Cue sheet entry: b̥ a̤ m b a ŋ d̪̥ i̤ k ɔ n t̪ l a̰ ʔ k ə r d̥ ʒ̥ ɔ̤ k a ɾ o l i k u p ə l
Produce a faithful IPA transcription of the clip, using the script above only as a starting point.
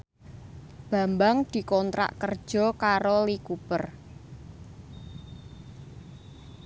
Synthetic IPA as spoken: b̥ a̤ m b a ŋ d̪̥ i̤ k ɔ n t̪ ɾ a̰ ʔ k ə r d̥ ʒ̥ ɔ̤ k a ɾ o l i k u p ə r